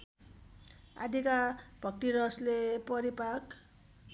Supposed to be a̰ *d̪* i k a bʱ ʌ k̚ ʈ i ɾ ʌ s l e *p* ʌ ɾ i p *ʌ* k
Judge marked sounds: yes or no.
yes, yes, no

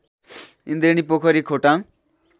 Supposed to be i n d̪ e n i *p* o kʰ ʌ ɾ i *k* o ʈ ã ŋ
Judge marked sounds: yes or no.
yes, no

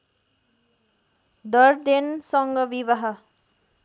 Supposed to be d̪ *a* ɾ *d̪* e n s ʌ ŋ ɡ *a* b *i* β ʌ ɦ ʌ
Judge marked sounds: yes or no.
no, yes, no, yes

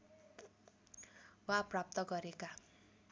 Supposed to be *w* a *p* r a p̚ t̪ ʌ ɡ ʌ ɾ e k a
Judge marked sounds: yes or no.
yes, yes

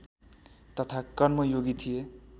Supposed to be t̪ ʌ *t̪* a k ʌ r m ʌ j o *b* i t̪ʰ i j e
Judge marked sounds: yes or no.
no, no

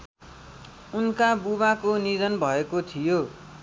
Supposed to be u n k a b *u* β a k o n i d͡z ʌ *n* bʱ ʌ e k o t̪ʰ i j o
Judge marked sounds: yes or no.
yes, yes

